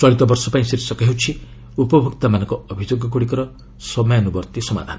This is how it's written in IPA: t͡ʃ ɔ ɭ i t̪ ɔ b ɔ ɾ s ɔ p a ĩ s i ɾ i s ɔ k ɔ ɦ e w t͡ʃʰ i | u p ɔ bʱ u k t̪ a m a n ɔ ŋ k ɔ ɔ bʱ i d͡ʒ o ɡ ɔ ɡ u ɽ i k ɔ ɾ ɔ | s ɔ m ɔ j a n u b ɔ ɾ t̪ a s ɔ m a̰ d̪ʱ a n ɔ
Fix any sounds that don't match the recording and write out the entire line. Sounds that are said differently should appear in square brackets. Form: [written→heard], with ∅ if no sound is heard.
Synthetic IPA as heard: t͡ʃ ɔ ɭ i t̪ ɔ b ɔ ɾ s ɔ p a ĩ s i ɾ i s ɔ k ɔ ɦ e w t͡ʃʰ i | u p ɔ bʱ u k t̪ a m a n ɔ ŋ k ɔ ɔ bʱ i d͡ʒ o ɡ ɔ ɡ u ɽ i k ɔ ɾ ɔ | s ɔ m ɔ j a n u b ɔ ɾ t̪ [a→i] s ɔ m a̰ d̪ʱ a n ɔ